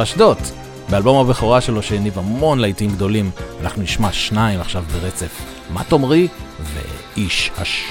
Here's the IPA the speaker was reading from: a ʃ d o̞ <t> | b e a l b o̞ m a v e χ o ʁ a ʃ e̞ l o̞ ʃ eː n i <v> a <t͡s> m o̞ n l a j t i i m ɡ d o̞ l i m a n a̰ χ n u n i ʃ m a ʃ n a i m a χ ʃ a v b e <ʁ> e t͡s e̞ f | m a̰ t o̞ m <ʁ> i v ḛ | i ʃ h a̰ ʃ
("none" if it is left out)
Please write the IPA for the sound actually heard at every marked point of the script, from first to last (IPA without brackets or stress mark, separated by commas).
t, v, none, ʁ, ʁ